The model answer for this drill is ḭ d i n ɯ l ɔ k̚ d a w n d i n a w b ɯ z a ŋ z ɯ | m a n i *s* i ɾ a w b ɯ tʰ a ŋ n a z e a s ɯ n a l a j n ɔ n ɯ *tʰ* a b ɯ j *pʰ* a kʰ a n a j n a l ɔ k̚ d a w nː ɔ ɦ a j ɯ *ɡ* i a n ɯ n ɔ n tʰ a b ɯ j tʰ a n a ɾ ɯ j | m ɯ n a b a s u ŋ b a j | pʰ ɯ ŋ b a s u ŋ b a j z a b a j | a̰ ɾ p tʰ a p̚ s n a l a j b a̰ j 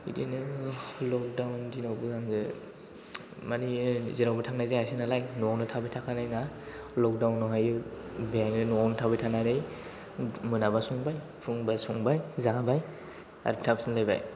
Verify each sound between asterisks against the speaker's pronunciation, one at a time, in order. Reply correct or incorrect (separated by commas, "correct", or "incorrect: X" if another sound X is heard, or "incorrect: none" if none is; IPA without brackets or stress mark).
incorrect: z, correct, incorrect: tʰ, incorrect: b